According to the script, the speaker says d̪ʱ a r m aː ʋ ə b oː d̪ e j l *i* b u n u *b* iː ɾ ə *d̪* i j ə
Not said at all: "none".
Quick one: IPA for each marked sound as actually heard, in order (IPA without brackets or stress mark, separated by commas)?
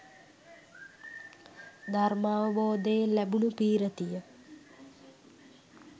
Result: æ, p, t̪